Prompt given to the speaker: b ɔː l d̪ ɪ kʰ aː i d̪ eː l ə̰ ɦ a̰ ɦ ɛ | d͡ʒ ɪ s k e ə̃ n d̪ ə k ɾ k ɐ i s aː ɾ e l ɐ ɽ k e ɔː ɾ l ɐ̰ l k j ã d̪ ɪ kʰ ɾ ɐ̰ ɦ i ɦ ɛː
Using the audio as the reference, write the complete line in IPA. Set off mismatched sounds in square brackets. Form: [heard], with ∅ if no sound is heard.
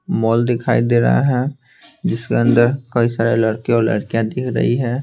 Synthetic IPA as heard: [m] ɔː l d̪ ɪ kʰ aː i d̪ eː [ɾ] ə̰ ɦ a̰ ɦ ɛ | d͡ʒ ɪ s k e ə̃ n d̪ ə [∅] ɾ k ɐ i s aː ɾ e l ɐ ɽ k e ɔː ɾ l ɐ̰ [ɽ] k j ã d̪ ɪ kʰ ɾ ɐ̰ ɦ i ɦ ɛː